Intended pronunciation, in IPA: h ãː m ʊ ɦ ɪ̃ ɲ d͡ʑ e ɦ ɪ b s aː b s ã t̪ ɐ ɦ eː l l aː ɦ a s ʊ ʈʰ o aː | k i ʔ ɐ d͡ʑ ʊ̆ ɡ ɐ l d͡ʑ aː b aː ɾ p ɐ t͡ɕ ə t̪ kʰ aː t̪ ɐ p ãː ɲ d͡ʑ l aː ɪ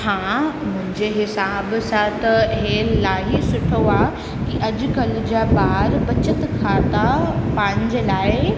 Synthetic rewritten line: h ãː m ʊ̃ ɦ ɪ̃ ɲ d͡ʑ e ɦ ɪ s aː b s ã t̪ ɐ ɦ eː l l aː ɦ i s ʊ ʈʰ o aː | k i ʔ ɐ d͡ʑ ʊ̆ ɡ ɐ l d͡ʑ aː b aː ɾ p ɐ t͡ɕ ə t̪ kʰ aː t̪ a p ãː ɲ d͡ʑ l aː ɪ

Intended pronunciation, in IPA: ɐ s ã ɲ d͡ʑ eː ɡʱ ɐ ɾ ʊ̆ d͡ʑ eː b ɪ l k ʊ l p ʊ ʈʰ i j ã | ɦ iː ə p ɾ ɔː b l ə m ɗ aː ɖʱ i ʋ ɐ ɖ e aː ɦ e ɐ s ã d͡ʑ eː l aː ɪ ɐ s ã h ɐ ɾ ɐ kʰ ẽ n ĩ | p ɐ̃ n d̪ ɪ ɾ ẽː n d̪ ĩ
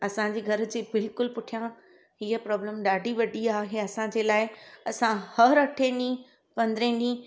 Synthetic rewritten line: ɐ s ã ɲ d͡ʑ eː ɡʱ ɐ ɾ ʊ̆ d͡ʑ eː b ɪ l k ʊ l p ʊ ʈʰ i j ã | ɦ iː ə p ɾ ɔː b l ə m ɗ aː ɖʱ i ʋ ɐ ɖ i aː ɦ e ɐ s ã d͡ʑ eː l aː ɪ ɐ s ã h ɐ ɾ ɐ ʈʰ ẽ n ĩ | p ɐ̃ n d̪ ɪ ɾ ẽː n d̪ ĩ

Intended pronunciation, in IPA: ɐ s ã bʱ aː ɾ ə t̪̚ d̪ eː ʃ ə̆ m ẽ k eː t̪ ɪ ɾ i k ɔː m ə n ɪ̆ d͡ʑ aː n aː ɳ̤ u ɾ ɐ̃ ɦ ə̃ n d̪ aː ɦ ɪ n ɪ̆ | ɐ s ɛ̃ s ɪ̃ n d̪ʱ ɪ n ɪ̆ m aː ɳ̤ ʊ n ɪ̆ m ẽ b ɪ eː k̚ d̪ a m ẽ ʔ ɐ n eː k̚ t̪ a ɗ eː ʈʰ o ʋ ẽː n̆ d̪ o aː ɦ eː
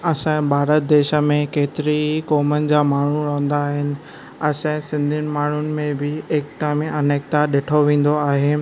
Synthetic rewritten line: ɐ s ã bʱ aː ɾ ə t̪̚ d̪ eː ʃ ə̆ m ẽ k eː t̪ ɪ ɾ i k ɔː m ə n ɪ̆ d͡ʑ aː m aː ɳ̤ u ɾ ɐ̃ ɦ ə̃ n d̪ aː ɦ ɪ n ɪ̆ | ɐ s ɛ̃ s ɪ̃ n d̪ʱ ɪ n ɪ̆ m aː ɳ̤ ʊ n ɪ̆ m ẽ b ɪ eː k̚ t̪ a m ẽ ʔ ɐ n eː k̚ t̪ a ɗ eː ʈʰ o ʋ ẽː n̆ d̪ o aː ɦ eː

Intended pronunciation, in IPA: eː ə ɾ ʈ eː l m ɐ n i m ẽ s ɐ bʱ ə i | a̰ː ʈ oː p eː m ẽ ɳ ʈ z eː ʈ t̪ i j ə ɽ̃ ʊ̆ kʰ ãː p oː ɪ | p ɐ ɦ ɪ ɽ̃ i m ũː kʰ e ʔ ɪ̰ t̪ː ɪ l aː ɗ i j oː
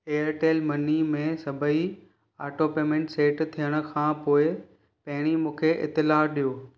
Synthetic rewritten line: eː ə ɾ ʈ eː l m ɐ n i m ẽ s ɐ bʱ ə i | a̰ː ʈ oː p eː m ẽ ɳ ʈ s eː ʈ t̪ʰ i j ə ɽ̃ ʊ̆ kʰ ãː p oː ɪ | p ɐ ɦ ɪ ɽ̃ i m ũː kʰ e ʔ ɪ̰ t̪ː ɪ l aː ɗ i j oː

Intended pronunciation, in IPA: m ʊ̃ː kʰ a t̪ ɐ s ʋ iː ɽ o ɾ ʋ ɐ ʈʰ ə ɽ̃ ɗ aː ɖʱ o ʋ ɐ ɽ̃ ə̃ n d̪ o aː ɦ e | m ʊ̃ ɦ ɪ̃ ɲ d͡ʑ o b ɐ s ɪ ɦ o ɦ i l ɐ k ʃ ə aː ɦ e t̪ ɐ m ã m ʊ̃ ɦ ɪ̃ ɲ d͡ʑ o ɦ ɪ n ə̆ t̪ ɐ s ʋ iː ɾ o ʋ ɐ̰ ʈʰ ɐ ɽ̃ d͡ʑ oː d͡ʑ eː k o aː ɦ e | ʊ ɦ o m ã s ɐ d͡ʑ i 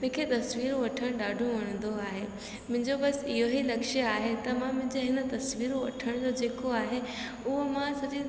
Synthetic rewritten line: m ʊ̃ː kʰ e t̪ ɐ s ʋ iː ɾ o ʋ ɐ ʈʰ ə ɽ̃ ɗ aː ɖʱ o ʋ ɐ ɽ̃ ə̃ n d̪ o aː ɦ e | m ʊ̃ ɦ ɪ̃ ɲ d͡ʑ o b ɐ s ɪ ɦ o ɦ i l ɐ k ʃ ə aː ɦ e t̪ ɐ m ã m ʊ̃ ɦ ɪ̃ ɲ d͡ʑ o ɦ ɪ n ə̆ t̪ ɐ s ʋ iː ɾ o ʋ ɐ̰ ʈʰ ə ɽ̃ d͡ʑ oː d͡ʑ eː k o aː ɦ e | ʊ ɦ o m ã s ɐ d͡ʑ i

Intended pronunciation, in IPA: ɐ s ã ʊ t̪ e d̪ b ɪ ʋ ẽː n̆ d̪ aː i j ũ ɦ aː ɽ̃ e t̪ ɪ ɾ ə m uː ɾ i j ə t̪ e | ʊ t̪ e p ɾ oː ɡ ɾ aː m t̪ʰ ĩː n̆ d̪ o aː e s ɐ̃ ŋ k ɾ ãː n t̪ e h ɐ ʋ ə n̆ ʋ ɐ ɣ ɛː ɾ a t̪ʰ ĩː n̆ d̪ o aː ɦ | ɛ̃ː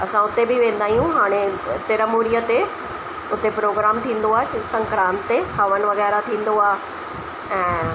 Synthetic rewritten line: ɐ s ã ʊ t̪ e b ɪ ʋ ẽː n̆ d̪ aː i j ũ ɦ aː ɽ̃ e t̪ ɪ ɾ ə m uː ɾ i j ə t̪ e | ʊ t̪ e p ɾ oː ɡ ɾ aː m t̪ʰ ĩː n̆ d̪ o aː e s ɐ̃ ŋ k ɾ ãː n t̪ e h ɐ ʋ ə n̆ ʋ ɐ ɣ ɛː ɾ a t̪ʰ ĩː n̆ d̪ o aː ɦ | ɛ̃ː

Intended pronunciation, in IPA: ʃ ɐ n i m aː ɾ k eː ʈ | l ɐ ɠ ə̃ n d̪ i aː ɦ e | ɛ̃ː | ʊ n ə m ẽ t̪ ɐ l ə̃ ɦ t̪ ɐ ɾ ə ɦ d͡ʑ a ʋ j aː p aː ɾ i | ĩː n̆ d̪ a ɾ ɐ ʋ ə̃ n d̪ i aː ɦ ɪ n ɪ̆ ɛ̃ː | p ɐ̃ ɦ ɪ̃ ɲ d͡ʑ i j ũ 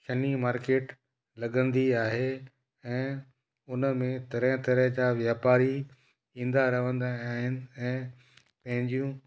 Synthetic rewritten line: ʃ ɐ n i m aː ɾ k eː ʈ | l ɐ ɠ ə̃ n d̪ i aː ɦ e | ɛ̃ː | ʊ n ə m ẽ t̪ ɐ ɾ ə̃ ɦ t̪ ɐ ɾ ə ɦ d͡ʑ a ʋ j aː p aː ɾ i | ĩː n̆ d̪ a ɾ ɐ ʋ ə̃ n d̪ a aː ɦ ɪ n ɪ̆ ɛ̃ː | p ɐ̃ ɦ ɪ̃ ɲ d͡ʑ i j ũ

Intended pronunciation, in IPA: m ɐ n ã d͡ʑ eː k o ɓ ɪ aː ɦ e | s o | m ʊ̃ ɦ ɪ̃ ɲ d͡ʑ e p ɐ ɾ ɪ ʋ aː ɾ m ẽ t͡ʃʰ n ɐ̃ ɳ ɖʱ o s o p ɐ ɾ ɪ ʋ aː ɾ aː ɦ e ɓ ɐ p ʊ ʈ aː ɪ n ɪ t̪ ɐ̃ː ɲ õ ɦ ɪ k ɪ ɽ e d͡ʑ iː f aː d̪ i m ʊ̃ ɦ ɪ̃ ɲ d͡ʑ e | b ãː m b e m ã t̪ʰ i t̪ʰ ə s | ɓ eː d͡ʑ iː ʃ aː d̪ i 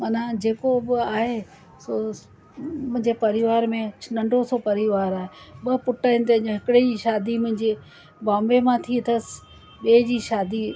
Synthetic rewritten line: m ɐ n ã d͡ʑ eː k o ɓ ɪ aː ɦ e | s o | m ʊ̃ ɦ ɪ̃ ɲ d͡ʑ e p ɐ ɾ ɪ ʋ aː ɾ m ẽ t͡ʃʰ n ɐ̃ ɳ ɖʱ o s o p ɐ ɾ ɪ ʋ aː ɾ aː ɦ e ɓ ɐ p ʊ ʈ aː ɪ n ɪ t̪ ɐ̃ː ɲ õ ɦ ɪ k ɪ ɽ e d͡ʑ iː ʃ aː d̪ i m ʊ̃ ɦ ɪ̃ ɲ d͡ʑ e | b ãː m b e m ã t̪ʰ i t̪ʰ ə s | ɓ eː d͡ʑ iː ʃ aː d̪ i

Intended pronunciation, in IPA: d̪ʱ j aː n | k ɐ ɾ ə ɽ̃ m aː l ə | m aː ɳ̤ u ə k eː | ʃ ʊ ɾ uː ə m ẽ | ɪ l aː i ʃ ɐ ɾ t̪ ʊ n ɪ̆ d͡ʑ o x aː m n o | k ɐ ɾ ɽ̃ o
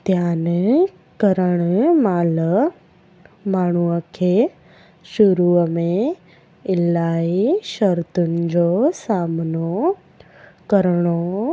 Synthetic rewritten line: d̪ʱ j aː n | k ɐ ɾ ə ɽ̃ m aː l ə | m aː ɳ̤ u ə kʰ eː | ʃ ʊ ɾ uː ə m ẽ | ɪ l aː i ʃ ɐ ɾ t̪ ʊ n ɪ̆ d͡ʑ o s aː m n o | k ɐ ɾ ɽ̃ o

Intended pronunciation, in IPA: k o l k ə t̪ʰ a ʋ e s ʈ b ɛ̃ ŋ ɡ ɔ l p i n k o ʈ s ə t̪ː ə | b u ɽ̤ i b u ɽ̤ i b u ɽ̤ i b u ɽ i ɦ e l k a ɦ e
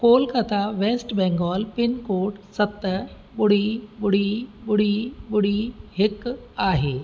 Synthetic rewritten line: k o l k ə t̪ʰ a ʋ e s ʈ b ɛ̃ ŋ ɡ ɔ l p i n k o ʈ s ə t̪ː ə | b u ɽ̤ i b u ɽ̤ i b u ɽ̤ i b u ɽ i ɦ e k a ɦ e

